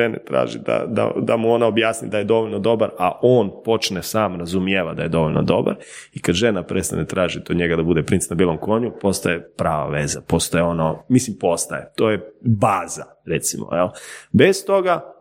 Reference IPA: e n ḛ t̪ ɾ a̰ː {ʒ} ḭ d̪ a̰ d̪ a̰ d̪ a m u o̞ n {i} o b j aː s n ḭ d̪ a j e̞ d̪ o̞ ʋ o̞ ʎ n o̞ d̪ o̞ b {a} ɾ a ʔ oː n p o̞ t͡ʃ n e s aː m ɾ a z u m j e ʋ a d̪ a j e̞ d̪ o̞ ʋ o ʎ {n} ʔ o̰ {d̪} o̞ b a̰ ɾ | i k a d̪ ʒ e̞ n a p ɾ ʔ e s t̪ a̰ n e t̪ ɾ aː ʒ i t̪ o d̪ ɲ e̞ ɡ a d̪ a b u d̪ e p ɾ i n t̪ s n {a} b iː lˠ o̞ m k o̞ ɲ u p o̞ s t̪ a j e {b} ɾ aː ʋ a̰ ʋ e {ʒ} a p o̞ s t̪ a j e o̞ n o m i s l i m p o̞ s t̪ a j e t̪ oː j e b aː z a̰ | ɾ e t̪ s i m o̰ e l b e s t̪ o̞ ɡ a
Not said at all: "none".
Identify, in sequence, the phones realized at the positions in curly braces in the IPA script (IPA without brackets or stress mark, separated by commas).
ʒ, a, a, n, d̪, a, p, z